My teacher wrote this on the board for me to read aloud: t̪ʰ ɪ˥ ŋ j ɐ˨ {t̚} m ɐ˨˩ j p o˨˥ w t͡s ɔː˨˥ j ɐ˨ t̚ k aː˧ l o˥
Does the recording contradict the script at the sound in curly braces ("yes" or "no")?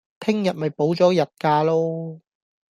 no